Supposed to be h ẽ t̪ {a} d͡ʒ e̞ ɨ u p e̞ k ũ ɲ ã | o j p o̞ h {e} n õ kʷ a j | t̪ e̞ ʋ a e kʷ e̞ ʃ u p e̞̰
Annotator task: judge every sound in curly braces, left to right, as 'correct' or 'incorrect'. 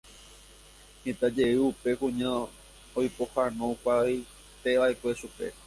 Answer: correct, incorrect: a

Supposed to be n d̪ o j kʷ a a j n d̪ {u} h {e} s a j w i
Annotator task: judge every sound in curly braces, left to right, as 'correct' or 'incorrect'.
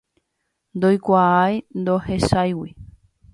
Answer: incorrect: o, correct

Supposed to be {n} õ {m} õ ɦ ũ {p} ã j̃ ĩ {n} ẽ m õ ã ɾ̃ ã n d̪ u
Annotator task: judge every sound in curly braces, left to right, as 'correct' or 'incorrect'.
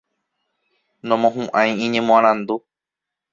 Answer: correct, correct, incorrect: ʔ, incorrect: ɲ

